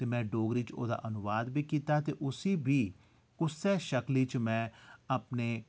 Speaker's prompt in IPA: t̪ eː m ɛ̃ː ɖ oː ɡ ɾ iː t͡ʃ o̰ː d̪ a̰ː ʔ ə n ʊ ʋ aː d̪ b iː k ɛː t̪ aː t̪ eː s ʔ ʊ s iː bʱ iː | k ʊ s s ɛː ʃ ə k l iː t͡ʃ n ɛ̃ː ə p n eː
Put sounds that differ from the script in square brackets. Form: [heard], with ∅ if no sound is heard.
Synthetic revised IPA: t̪ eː m ɛ̃ː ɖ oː ɡ ɾ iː t͡ʃ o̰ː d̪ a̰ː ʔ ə n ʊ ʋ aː d̪ b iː k [iː] t̪ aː t̪ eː [∅] ʔ ʊ s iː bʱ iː | k ʊ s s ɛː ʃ ə k l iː t͡ʃ [m] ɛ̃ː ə p n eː